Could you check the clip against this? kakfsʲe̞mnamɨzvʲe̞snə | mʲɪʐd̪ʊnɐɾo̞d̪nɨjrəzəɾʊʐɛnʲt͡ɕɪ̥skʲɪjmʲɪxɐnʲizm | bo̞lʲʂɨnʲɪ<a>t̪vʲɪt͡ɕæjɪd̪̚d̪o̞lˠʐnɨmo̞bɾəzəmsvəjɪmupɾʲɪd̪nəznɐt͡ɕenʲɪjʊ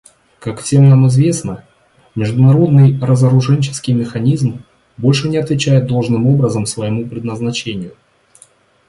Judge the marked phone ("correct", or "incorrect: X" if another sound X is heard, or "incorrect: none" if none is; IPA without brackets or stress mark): incorrect: ɐ